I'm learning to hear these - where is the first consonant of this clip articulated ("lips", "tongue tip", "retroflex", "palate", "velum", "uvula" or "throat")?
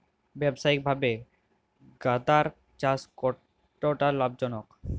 lips